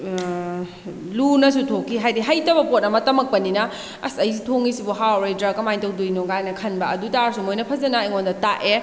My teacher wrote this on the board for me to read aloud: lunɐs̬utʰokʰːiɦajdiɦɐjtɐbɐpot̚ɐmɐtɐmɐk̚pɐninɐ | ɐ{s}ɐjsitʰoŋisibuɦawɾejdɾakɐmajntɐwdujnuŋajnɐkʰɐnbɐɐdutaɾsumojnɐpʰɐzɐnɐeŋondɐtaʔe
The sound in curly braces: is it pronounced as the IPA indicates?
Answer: yes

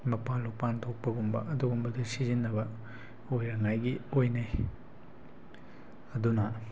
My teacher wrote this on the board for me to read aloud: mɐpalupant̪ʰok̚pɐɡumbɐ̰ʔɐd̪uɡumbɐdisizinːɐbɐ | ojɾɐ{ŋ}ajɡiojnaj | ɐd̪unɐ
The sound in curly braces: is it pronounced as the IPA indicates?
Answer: yes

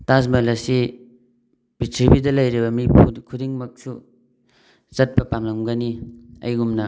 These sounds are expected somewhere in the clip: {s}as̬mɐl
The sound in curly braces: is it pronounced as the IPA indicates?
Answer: no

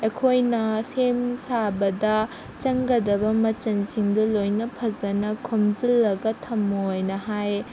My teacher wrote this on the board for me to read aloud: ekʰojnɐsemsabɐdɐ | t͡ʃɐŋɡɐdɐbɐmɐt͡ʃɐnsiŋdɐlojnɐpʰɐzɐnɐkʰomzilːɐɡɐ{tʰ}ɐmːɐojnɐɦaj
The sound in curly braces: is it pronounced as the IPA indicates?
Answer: yes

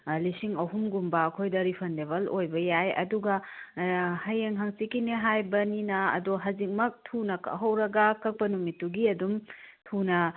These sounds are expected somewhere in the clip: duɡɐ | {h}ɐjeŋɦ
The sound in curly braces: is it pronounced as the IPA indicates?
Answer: yes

